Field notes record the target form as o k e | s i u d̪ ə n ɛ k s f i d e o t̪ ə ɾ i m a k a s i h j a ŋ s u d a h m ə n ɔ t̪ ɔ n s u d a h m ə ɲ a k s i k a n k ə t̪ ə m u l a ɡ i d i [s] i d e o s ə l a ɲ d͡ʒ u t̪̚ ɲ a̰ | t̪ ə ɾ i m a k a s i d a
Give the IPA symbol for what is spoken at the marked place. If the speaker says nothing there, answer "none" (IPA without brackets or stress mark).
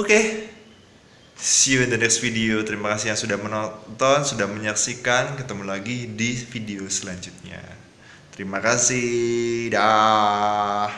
f